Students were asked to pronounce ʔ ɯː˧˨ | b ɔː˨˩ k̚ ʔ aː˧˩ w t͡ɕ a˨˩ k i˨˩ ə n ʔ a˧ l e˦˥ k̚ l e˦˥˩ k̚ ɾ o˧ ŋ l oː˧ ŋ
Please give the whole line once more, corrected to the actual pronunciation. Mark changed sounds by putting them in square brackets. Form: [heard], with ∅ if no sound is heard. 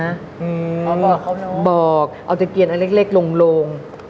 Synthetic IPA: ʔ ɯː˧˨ | b ɔː˨˩ k̚ ʔ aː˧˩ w t͡ɕ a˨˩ k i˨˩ ə n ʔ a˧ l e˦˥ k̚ l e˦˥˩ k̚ [l] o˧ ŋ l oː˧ ŋ